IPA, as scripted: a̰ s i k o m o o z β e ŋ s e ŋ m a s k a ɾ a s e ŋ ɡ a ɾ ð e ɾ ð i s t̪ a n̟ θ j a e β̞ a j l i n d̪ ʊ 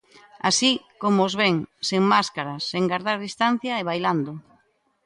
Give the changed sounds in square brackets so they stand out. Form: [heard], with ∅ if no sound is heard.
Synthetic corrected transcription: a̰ s i k o m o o z β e ŋ s e ŋ m a s k a ɾ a s e ŋ ɡ a ɾ ð [a] ɾ ð i s t̪ a n̟ θ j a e β̞ a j l [a] n d̪ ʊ